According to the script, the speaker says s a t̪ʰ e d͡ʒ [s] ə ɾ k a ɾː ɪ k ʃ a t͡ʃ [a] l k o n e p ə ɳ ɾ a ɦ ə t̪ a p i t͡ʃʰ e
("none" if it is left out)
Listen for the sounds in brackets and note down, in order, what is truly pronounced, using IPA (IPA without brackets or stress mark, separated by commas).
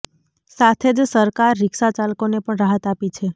s, a